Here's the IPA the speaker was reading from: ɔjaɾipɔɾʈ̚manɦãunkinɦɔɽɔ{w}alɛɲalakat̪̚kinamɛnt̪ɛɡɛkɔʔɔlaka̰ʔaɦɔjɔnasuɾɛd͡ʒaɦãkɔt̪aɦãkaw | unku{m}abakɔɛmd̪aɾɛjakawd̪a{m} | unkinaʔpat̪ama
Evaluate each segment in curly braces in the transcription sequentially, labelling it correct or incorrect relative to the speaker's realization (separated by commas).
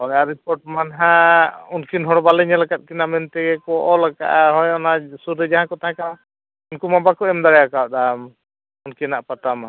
incorrect, correct, correct